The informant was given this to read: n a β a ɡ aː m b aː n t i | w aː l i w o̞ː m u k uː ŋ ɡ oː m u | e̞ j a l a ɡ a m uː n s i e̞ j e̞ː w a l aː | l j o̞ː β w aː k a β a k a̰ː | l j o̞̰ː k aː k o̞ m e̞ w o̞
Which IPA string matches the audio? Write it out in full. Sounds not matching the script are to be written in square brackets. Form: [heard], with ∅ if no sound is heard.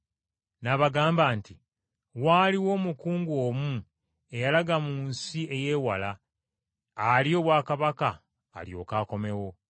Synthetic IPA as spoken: n a β a ɡ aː m b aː n t i | w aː l i w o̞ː m u k uː ŋ ɡ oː m u | e̞ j a l a ɡ a m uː n s i e̞ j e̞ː w a l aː | l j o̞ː β w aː k a β a k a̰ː | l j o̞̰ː k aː k o̞ m e̞ w o̞